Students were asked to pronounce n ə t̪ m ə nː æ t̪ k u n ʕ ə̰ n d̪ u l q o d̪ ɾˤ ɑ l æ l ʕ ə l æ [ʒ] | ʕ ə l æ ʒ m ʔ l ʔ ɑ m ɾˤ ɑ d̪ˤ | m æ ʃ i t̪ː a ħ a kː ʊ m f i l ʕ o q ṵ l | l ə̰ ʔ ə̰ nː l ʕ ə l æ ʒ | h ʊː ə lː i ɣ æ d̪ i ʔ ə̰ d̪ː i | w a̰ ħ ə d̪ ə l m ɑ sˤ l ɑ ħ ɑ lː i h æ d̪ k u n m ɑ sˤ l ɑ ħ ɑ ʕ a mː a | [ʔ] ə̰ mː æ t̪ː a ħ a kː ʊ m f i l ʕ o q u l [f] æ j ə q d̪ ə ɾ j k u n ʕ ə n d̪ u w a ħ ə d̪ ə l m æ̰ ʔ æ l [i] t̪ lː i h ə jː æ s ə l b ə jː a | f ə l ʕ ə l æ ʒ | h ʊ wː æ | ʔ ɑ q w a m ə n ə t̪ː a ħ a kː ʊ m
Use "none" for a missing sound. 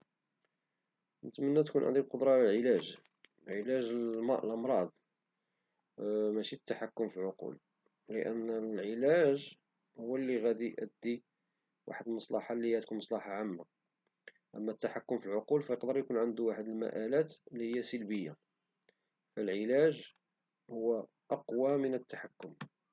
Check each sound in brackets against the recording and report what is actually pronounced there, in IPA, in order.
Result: ʒ, ʔ, f, æ

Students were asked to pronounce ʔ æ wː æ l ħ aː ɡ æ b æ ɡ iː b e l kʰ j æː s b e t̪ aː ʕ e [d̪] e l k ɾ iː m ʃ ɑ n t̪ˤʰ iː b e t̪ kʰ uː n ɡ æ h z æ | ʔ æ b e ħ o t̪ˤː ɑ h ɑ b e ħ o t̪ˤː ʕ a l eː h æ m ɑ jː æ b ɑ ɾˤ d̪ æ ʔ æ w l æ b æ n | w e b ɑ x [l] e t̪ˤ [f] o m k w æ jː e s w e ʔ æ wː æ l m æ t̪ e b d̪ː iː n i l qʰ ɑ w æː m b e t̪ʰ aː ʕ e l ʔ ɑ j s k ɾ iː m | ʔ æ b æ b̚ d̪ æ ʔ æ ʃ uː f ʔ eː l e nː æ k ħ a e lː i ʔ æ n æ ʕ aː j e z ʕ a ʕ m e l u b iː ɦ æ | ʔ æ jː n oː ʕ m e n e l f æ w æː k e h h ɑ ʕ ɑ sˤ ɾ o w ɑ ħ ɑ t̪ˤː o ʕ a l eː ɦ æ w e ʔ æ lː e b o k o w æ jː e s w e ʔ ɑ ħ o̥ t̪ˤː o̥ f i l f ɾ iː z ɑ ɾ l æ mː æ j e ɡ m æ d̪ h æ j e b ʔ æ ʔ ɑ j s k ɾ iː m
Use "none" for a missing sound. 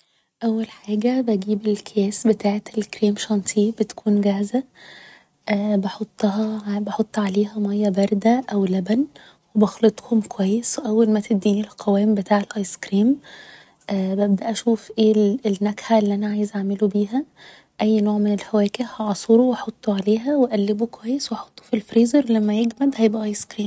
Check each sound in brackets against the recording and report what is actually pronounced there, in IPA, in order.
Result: t̪, l, h

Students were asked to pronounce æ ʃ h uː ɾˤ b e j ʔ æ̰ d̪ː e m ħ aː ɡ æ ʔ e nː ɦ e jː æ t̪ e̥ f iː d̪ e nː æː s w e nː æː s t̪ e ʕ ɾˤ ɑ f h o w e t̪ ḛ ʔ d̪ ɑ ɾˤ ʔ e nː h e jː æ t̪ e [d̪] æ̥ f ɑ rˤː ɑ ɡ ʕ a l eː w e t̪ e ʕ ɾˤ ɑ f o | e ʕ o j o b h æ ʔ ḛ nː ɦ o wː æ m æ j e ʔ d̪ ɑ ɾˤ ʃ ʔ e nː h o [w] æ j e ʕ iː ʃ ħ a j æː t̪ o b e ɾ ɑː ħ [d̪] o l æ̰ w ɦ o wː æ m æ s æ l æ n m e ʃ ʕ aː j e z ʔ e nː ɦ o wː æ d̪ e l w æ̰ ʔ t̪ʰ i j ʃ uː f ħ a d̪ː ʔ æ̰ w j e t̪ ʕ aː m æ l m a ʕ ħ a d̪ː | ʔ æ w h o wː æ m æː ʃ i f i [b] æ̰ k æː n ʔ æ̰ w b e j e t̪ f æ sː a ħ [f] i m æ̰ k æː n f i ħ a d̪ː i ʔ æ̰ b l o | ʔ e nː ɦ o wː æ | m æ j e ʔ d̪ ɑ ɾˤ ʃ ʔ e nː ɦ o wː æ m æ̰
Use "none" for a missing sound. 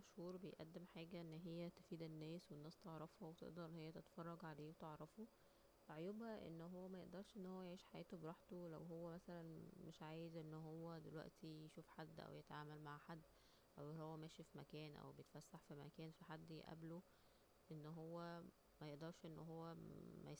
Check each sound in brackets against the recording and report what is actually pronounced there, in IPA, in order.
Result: t̪, wː, t̪, m, f

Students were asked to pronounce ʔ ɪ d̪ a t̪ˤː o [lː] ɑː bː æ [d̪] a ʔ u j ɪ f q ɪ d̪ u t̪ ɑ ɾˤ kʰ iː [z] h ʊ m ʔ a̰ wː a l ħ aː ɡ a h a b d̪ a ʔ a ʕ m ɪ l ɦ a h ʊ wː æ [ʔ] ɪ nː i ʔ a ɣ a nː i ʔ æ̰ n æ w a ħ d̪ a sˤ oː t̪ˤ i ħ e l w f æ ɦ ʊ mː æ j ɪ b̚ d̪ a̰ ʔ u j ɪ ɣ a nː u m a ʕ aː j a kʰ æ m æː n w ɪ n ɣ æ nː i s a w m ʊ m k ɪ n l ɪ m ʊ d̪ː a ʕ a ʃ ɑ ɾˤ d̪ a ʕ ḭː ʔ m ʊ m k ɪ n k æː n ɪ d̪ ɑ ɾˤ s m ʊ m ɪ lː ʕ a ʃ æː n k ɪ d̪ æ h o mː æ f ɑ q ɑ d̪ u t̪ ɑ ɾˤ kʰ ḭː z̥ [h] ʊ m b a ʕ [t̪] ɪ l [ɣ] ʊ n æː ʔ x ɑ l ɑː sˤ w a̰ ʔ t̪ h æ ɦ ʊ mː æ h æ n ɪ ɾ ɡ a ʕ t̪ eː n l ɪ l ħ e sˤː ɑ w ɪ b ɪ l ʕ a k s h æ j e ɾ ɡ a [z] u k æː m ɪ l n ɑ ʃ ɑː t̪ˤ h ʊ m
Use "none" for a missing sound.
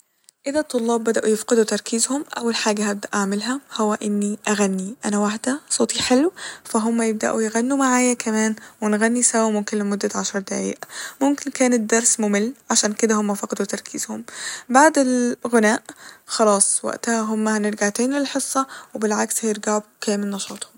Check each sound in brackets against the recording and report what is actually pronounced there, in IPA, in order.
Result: lː, d̪, z, ʔ, h, d̪, ɣ, ʕ

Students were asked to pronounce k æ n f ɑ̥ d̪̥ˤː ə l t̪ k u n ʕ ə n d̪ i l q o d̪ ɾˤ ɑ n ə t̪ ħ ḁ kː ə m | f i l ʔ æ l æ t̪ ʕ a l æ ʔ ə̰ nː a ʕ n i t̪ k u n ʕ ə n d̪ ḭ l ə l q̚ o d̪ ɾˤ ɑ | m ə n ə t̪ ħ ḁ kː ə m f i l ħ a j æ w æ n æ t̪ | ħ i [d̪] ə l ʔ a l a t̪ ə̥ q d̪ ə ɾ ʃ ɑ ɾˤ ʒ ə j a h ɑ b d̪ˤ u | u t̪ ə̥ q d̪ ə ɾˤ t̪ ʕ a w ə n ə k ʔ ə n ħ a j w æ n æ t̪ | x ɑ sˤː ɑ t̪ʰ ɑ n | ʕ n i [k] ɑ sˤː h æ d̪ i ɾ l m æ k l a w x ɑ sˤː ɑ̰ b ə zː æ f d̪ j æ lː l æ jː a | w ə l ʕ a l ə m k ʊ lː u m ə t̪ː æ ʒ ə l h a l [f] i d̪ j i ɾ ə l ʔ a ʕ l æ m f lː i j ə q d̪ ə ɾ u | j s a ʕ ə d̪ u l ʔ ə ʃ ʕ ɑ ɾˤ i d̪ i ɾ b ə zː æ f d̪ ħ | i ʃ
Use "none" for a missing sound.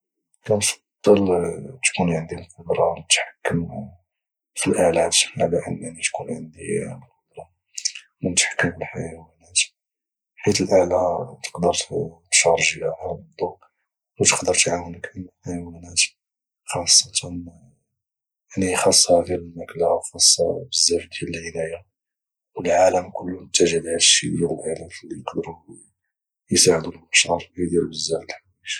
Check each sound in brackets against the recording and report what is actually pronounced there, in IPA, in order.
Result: t̪, x, ʃ

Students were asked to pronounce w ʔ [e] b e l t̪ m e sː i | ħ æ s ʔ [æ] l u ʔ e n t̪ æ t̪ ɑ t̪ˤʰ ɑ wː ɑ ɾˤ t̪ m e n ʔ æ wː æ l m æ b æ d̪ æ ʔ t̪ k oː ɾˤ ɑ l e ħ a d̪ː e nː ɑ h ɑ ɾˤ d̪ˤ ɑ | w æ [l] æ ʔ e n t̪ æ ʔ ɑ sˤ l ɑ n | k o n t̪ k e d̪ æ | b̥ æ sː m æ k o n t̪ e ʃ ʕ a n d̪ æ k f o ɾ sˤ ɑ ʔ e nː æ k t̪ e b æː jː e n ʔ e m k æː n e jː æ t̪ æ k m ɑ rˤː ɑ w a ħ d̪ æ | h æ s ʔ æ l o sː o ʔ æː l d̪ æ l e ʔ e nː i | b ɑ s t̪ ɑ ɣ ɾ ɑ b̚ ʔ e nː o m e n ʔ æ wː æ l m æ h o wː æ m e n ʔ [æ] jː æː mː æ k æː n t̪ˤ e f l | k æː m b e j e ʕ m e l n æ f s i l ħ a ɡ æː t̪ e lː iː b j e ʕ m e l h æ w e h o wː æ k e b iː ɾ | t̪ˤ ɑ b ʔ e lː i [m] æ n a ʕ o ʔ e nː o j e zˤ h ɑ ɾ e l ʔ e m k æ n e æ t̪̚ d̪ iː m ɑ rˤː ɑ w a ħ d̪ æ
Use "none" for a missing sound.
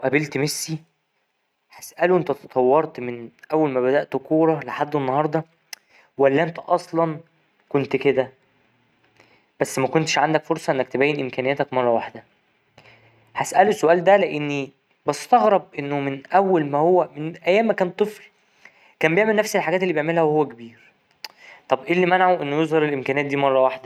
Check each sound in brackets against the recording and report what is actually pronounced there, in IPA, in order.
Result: æ, æ, lː, æ, m

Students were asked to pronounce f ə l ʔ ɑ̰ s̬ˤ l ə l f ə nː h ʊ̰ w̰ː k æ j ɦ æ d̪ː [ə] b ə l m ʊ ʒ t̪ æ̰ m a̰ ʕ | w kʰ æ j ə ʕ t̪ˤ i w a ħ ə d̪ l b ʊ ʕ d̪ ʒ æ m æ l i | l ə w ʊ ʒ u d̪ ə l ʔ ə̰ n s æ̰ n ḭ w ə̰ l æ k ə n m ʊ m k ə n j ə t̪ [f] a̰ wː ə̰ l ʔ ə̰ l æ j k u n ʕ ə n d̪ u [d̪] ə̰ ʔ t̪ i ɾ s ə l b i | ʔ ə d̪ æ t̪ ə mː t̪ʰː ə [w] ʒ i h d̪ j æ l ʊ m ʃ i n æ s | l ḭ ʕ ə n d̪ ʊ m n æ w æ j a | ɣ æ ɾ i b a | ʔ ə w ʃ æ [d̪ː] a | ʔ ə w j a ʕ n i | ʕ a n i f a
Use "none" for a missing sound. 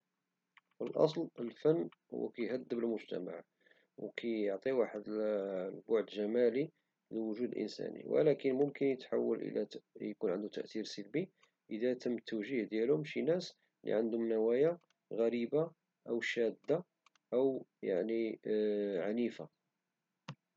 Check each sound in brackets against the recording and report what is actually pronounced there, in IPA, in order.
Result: ə, ħ, t̪, w, d̪ː

